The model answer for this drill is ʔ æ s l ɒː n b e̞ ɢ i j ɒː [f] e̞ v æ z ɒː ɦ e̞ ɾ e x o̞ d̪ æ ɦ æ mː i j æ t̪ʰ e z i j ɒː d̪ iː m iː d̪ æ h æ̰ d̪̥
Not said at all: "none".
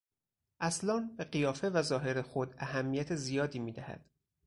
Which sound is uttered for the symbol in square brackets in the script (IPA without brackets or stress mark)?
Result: f